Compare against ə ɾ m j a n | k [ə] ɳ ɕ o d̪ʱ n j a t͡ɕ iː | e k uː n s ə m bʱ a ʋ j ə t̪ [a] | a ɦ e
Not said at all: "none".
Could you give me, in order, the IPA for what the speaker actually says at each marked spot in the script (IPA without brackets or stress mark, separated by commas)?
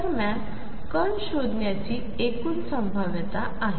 ə, a